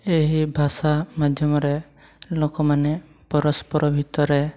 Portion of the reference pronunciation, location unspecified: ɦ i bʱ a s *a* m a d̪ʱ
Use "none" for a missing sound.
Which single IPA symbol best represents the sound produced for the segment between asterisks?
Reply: a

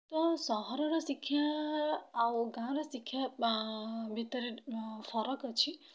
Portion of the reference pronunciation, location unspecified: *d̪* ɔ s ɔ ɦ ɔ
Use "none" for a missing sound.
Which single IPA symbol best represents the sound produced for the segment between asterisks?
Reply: t̪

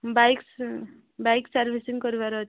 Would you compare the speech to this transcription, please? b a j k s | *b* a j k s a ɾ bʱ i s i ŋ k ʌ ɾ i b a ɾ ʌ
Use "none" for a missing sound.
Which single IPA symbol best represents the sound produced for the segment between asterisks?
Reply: b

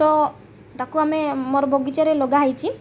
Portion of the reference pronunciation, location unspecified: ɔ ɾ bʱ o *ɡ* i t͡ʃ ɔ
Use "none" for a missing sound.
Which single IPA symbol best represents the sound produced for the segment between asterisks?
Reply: ɡ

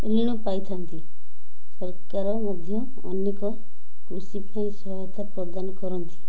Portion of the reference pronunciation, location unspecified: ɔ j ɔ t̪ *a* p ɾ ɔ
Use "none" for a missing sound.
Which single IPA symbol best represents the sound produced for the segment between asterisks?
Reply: a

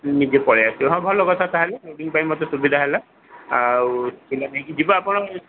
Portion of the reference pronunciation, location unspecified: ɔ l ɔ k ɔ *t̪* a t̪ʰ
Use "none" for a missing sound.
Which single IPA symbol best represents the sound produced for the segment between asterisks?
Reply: t̪ʰ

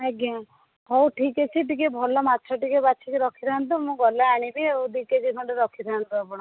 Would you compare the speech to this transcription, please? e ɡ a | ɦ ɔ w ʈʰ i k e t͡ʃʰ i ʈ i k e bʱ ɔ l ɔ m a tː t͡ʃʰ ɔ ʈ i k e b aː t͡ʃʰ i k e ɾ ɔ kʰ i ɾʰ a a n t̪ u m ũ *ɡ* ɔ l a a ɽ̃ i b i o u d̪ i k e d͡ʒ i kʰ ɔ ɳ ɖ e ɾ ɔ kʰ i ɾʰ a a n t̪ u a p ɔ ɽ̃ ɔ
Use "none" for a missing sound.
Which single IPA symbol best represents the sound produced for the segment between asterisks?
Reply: ɡ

